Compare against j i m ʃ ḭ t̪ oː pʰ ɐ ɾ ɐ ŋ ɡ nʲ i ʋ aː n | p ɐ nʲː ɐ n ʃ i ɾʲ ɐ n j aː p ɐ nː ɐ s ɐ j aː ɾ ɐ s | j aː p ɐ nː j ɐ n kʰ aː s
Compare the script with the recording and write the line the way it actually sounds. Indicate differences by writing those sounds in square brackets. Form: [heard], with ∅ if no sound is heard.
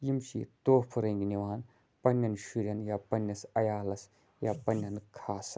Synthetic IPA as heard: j i m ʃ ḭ t̪ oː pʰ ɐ ɾ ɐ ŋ ɡ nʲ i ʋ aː n | p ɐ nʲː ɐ n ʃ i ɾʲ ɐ n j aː p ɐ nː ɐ s ɐ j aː [l] ɐ s | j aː p ɐ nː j ɐ n kʰ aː s